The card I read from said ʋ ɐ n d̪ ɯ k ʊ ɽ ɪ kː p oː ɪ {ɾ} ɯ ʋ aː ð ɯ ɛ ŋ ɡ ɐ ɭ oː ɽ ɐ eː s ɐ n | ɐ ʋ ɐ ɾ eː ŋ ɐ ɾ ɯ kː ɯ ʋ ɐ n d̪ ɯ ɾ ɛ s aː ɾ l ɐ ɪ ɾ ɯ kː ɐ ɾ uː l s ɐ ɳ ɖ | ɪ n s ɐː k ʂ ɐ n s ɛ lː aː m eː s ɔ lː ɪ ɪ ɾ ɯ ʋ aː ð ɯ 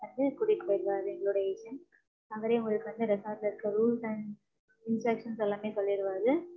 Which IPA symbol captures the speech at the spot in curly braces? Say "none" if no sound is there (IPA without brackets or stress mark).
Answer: ɾ